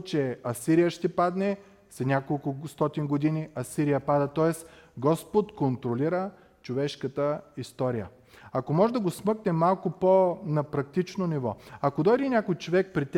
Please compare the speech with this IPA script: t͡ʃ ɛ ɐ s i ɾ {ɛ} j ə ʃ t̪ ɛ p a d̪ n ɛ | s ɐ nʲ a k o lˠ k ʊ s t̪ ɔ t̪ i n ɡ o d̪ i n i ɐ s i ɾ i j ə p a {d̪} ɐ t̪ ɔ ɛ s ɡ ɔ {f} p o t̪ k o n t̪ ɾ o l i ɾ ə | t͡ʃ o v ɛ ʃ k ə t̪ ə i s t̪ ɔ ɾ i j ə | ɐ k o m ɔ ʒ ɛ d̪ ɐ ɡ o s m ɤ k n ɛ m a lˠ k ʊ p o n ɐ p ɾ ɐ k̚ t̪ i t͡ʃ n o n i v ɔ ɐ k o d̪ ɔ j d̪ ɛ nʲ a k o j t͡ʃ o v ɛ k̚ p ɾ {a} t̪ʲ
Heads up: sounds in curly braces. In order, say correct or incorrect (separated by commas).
incorrect, correct, incorrect, incorrect